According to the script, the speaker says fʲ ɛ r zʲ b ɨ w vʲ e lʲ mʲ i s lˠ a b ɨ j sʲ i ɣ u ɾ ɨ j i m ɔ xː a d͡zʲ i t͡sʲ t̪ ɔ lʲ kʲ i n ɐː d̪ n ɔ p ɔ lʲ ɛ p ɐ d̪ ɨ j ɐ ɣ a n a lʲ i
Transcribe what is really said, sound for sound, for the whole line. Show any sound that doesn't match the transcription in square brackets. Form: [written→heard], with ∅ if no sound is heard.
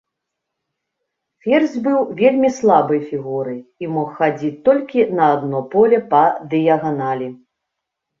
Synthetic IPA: fʲ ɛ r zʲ b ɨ w vʲ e lʲ mʲ i s lˠ a b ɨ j [sʲ→fʲ] i ɣ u ɾ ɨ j i m ɔ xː a d͡zʲ i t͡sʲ t̪ ɔ lʲ kʲ i n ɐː d̪ n ɔ p ɔ lʲ ɛ p ɐ d̪ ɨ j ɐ ɣ a n a lʲ i